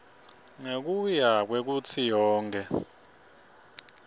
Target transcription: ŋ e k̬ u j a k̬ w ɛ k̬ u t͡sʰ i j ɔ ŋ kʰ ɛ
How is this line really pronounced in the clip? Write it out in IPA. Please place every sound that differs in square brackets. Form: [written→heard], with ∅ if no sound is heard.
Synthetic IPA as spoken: ŋ e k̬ u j a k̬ w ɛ k̬ u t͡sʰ i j [ɔ→ɔː] ŋ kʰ ɛ